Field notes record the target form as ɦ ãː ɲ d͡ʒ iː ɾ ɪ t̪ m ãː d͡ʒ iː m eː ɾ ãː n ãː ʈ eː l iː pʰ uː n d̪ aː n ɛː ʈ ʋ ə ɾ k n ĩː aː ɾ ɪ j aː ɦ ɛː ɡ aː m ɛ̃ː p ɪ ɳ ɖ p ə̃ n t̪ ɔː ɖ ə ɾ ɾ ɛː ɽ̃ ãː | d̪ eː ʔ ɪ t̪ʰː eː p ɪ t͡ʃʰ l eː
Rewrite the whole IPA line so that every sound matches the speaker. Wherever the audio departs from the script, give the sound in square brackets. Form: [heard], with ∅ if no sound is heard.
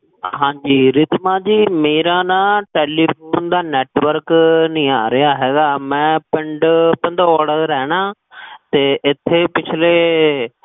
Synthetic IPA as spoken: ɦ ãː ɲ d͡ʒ iː ɾ ɪ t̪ m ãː d͡ʒ iː m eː ɾ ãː n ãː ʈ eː l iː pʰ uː n d̪ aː n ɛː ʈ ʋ ə ɾ k n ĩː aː ɾ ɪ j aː ɦ ɛː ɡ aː m ɛ̃ː p ɪ ɳ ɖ p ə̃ n [d̪] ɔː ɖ ə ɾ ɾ ɛː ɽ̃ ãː | [t̪] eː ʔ ɪ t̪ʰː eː p ɪ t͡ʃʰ l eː